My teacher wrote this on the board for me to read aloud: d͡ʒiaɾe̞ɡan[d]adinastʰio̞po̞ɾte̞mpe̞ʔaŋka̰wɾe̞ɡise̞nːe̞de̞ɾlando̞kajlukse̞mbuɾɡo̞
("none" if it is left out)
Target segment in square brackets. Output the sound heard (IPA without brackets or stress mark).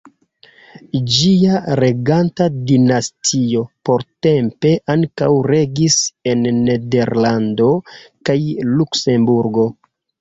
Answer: t